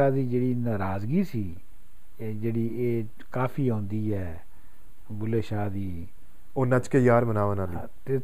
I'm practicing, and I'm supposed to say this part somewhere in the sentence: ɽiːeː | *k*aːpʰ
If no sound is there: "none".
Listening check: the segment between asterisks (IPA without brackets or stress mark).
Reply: k